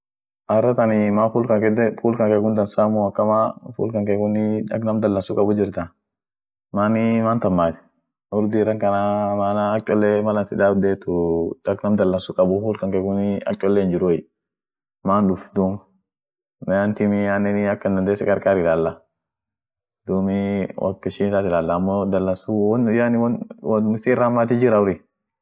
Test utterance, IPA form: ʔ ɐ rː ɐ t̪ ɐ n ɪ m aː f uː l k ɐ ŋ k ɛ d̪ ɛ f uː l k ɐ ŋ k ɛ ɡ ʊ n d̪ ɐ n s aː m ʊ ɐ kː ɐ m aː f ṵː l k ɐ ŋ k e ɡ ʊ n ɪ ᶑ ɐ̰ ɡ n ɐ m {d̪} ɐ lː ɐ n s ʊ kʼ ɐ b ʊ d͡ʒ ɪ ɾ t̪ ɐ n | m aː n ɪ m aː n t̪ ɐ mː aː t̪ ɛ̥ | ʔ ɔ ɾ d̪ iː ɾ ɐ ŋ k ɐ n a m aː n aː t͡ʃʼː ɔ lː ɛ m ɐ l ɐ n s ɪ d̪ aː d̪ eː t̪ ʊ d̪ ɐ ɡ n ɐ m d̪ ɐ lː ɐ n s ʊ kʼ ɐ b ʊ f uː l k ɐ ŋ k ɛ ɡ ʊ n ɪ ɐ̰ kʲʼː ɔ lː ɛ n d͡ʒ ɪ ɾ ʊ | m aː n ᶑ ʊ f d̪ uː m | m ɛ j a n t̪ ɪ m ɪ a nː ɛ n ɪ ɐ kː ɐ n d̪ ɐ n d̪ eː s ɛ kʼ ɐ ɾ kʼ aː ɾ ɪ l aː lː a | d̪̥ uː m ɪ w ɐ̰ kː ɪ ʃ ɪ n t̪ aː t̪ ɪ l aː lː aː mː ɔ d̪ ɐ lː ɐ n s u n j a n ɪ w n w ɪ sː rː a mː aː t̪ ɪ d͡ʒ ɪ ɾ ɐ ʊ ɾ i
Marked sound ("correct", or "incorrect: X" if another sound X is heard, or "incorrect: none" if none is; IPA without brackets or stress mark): correct